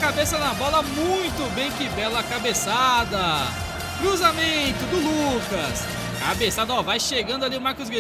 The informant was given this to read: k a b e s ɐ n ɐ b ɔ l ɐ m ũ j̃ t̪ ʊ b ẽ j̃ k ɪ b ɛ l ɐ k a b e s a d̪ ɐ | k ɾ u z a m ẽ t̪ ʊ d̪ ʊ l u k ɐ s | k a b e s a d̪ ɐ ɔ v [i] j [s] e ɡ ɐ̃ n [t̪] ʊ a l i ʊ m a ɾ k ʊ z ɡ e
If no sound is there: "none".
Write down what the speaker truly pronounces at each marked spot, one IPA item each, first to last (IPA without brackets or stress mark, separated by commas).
a, ʃ, d̪